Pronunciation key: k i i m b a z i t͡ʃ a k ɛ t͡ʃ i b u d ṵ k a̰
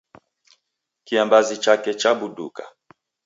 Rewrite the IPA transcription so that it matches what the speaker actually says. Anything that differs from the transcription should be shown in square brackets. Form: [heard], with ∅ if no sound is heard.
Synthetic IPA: k i [a] m b a z i t͡ʃ a k ɛ t͡ʃ [a] b u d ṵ k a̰